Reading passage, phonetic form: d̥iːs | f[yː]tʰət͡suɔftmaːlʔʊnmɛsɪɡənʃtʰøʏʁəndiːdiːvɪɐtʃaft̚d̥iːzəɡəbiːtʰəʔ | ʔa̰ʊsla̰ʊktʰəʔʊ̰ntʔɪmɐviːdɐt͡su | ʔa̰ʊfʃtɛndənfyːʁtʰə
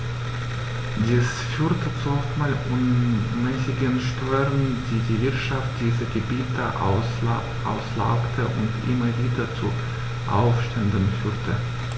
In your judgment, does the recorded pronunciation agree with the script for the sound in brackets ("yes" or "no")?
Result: yes